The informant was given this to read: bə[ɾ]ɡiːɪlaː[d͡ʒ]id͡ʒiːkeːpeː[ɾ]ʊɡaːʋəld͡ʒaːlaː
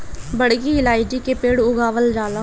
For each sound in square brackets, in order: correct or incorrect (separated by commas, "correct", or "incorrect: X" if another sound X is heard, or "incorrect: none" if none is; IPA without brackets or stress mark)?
incorrect: ɽ, incorrect: none, incorrect: ɽ